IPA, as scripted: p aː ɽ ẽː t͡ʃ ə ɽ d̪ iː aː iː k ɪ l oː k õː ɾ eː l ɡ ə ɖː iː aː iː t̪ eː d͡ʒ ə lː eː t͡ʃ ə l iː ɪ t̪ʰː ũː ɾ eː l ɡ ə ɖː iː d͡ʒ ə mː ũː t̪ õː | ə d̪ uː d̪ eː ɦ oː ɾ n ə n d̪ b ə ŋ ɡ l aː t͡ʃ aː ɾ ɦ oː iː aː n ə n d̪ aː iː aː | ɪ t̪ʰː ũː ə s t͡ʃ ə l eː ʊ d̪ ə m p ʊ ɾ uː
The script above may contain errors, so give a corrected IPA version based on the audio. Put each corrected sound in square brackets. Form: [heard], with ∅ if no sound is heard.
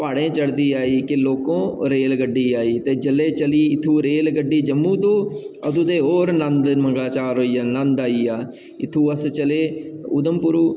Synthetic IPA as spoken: p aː ɽ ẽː t͡ʃ ə ɽ d̪ iː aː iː k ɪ l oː k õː ɾ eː l ɡ ə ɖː iː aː iː t̪ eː d͡ʒ ə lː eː t͡ʃ ə l iː ɪ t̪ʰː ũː ɾ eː l ɡ ə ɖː iː d͡ʒ ə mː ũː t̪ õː | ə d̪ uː d̪ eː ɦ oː ɾ n ə n d̪ [m] ə ŋ ɡ l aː t͡ʃ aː ɾ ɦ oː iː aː n ə n d̪ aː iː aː | ɪ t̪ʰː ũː ə s t͡ʃ ə l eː ʊ d̪ ə m p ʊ ɾ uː